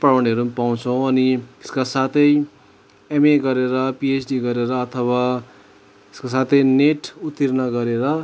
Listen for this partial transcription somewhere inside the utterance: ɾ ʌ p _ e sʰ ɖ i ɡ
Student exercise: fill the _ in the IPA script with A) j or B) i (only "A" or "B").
B